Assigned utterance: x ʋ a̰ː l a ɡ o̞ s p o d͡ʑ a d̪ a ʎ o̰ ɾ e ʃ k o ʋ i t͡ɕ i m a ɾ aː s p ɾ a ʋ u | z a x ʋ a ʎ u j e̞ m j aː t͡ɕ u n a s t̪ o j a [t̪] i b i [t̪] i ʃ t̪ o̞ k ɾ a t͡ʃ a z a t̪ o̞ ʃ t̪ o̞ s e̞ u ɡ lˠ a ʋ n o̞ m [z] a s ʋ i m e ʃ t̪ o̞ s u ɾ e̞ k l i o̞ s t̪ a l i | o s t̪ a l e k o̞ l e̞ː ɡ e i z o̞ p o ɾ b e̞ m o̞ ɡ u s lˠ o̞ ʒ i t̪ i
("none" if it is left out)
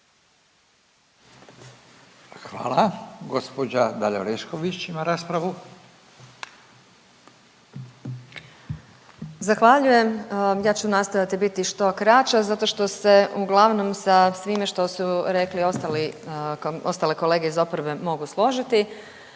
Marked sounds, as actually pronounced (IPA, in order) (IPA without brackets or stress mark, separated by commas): t̪, t̪, s